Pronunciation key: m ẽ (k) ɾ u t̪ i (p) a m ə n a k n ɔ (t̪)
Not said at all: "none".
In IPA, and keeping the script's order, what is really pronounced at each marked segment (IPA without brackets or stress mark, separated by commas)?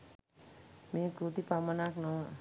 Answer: k, p, none